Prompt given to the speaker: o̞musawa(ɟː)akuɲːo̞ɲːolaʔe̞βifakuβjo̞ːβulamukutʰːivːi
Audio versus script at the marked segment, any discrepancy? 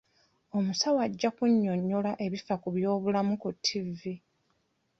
no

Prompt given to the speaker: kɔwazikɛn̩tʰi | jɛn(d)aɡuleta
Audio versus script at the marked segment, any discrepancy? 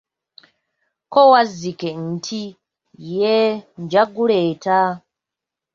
yes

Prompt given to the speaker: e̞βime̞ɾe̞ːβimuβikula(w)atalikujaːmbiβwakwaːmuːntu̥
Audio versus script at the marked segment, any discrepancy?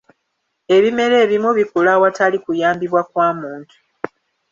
no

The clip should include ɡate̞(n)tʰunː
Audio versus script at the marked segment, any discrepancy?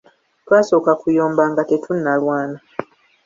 yes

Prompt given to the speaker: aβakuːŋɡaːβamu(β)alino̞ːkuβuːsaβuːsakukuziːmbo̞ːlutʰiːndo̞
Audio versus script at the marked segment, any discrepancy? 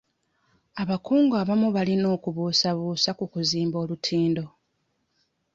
no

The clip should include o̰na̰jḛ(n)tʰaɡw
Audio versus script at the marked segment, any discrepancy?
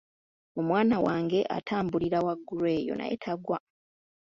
yes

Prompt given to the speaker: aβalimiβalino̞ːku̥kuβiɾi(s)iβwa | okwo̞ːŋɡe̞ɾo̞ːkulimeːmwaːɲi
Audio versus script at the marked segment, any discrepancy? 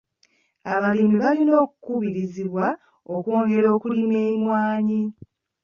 yes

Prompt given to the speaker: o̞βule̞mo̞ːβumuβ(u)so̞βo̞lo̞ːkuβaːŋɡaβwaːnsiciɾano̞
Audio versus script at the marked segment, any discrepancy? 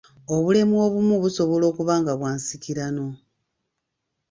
no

